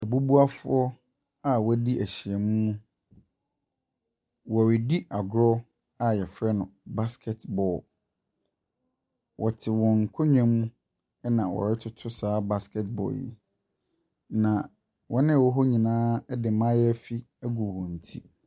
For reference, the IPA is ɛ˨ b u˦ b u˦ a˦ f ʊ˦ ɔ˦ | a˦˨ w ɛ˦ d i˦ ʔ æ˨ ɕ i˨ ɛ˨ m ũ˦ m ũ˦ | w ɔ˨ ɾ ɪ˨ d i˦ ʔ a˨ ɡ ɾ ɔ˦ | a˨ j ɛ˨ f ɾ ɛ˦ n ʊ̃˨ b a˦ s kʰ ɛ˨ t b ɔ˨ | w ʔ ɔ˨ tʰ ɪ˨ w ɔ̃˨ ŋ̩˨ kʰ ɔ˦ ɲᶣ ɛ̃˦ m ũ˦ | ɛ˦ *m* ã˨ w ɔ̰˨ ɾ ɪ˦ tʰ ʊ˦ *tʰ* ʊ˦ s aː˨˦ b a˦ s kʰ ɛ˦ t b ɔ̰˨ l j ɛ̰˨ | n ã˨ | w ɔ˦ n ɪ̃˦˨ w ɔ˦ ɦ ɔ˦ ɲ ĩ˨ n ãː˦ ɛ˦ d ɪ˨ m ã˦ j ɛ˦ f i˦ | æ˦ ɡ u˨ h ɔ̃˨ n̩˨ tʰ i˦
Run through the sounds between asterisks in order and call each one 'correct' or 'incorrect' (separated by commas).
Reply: incorrect, correct